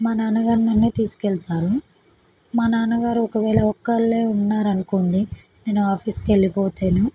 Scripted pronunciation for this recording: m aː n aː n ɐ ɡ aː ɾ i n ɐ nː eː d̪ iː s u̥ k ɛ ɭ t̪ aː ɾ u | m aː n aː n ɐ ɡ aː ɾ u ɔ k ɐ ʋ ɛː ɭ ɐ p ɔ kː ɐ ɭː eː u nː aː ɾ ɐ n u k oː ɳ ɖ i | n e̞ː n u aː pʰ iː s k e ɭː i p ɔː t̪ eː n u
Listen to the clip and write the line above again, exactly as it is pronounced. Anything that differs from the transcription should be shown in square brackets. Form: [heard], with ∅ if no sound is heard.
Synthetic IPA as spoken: m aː n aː n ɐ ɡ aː ɾ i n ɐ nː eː [t̪] iː s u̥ k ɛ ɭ t̪ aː ɾ u | m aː n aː n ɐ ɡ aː ɾ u ɔ k ɐ ʋ ɛː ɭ ɐ [∅] ɔ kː ɐ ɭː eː u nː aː ɾ ɐ n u k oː ɳ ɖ i | n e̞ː n u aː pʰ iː s k e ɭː i p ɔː t̪ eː n u

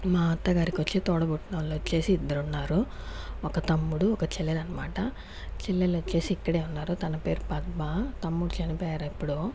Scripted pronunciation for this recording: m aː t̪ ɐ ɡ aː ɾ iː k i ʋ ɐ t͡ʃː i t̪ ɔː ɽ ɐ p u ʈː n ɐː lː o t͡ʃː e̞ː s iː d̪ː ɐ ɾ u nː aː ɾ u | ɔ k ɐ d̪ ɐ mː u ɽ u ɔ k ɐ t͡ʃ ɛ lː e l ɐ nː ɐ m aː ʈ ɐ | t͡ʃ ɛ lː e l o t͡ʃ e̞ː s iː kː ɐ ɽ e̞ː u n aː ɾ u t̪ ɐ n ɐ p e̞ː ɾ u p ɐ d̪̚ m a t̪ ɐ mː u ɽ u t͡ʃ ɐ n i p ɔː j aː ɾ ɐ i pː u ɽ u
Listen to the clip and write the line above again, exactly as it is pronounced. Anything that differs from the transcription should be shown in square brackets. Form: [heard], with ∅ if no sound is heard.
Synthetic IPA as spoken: m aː t̪ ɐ ɡ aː ɾ [i] k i ʋ ɐ t͡ʃː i t̪ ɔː ɽ ɐ [b] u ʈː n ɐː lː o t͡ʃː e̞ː s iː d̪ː ɐ ɾ u nː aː ɾ u | ɔ k ɐ [t̪] ɐ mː u ɽ u ɔ k ɐ t͡ʃ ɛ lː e l ɐ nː ɐ m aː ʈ ɐ | t͡ʃ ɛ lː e l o t͡ʃ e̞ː s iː kː ɐ ɽ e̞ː u [nː] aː ɾ u t̪ ɐ n ɐ p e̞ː ɾ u p ɐ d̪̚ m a t̪ ɐ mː u ɽ u t͡ʃ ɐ n i p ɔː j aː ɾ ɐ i pː u ɽ u

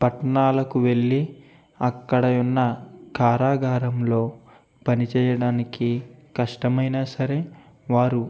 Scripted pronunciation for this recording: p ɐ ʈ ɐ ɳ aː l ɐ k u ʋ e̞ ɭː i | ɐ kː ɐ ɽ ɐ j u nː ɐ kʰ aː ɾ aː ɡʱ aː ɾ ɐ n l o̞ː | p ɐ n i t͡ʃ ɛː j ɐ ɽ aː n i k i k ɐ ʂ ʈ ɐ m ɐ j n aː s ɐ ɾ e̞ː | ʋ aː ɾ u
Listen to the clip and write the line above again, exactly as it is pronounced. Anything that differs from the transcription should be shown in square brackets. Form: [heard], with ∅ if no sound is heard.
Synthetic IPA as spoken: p ɐ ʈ ɐ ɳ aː l ɐ k u ʋ e̞ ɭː i | ɐ kː ɐ ɽ ɐ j u nː ɐ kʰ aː ɾ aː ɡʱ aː ɾ ɐ [m] l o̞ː | p ɐ n i t͡ʃ ɛː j ɐ ɽ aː n i k i k ɐ ʂ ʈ ɐ m ɐ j n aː s ɐ ɾ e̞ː | ʋ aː ɾ u

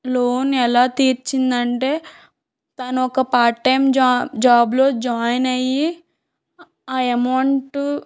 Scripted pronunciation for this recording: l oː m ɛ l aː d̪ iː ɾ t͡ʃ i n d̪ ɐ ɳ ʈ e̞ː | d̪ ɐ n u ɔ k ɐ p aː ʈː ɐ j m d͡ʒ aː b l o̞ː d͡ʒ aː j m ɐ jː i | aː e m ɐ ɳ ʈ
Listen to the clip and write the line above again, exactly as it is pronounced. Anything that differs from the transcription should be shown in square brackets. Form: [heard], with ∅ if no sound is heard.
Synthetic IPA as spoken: l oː [n] ɛ l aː [t̪] iː ɾ t͡ʃ i n d̪ ɐ ɳ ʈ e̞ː | [t̪] ɐ n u ɔ k ɐ p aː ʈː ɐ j m d͡ʒ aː b l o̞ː d͡ʒ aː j [n] ɐ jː i | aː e m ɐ ɳ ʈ

